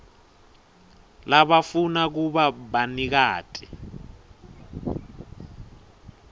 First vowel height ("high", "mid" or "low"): low